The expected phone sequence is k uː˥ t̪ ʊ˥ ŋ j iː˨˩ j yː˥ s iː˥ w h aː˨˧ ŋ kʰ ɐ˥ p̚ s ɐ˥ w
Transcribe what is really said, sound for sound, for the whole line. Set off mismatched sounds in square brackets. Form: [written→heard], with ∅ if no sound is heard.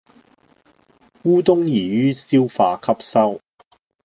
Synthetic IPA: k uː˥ t̪ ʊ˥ ŋ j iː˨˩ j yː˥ s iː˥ w [h→f] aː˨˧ [ŋ→∅] kʰ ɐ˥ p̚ s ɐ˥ w